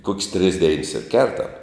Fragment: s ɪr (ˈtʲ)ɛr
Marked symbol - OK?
no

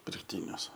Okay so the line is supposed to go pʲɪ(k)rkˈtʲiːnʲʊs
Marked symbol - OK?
no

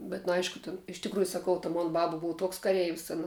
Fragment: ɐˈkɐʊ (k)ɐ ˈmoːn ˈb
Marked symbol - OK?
no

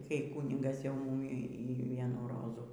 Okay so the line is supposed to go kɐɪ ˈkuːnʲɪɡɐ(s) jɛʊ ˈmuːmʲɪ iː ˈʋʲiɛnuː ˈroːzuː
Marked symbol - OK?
yes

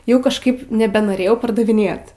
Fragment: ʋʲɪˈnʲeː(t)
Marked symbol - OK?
yes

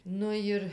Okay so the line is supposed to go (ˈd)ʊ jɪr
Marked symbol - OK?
no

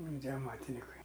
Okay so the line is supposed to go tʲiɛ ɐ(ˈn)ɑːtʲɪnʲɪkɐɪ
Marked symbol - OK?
no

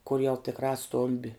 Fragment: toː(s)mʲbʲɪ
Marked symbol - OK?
no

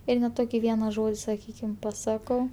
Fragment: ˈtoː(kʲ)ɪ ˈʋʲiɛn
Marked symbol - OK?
yes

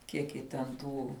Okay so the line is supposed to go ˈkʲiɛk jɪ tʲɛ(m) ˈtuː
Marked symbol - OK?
no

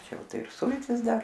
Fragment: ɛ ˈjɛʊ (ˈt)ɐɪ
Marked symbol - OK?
yes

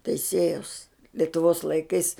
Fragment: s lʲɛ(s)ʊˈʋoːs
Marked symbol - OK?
no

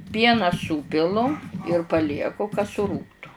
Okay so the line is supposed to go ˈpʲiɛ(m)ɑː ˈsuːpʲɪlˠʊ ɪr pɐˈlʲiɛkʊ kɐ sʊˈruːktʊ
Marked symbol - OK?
no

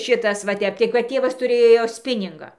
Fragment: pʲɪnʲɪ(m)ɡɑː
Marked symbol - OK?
no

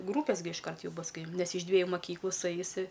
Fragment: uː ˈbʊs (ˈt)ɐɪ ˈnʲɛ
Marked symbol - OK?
no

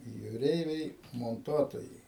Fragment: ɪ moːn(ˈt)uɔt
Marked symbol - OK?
yes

